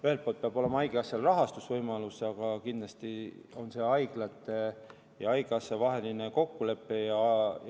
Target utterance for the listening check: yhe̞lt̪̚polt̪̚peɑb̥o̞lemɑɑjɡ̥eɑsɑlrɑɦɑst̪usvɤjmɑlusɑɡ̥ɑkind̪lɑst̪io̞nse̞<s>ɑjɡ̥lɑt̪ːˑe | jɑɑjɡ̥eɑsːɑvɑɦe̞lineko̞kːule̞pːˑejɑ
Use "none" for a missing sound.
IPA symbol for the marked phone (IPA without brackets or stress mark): none